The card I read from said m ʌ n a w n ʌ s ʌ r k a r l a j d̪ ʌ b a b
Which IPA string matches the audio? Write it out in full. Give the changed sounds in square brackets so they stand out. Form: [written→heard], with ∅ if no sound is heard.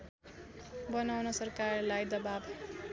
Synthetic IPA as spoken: [m→b] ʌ n a w n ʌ s ʌ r k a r l a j d̪ ʌ b a b